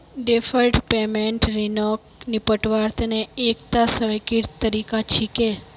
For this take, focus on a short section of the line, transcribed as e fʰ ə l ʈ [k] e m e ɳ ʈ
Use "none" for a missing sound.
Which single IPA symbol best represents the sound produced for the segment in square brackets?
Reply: p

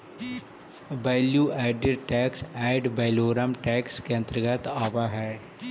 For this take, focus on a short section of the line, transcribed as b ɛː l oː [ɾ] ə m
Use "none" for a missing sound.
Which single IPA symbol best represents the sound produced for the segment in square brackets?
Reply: ɾ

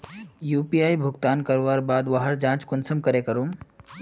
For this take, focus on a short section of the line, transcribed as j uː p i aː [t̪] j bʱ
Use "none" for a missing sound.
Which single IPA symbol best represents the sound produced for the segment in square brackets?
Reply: none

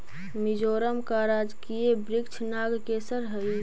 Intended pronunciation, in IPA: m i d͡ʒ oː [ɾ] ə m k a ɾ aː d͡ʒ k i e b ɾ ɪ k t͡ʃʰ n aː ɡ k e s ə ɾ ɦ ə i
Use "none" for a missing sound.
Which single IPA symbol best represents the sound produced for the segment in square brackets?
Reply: ɾ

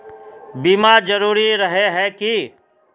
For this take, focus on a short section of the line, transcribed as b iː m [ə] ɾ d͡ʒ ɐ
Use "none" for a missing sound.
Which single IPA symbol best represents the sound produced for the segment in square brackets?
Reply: a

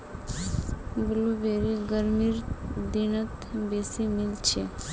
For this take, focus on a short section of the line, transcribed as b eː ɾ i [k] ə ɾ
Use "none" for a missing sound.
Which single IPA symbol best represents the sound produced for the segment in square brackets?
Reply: ɡ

